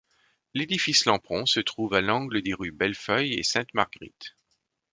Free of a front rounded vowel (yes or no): no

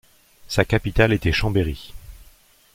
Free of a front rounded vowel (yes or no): yes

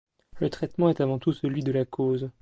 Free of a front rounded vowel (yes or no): yes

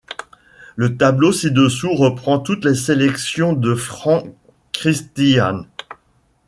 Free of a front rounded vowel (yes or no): yes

